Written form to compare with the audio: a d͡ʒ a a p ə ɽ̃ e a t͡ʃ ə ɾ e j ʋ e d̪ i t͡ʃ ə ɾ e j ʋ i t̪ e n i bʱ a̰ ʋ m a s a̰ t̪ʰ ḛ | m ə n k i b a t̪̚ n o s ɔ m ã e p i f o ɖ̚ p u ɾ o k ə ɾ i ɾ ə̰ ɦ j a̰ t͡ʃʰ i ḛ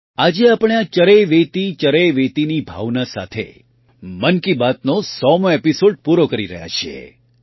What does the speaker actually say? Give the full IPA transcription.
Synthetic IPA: a d͡ʒ e a p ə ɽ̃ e a t͡ʃ ə ɾ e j ʋ e t̪ i t͡ʃ ə ɾ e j ʋ e t̪ i n i bʱ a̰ ʋ n a s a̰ t̪ʰ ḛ | m ə n k i b a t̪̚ n o s ɔ m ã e p i s o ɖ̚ p u ɾ o k ə ɾ i ɾ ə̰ ɦ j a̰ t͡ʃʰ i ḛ